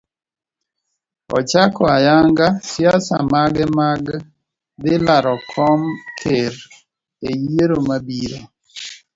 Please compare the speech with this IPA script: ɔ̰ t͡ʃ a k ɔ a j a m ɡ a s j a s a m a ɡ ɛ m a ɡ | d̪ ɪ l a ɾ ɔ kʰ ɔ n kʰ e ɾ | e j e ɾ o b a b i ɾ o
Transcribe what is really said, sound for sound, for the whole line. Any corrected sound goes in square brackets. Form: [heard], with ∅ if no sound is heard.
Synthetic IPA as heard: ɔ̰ t͡ʃ a k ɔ a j a [ŋ] ɡ a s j a s a m a ɡ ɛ m a ɡ | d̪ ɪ l a ɾ ɔ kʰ ɔ [m] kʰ e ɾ | e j e ɾ o [m] a b i ɾ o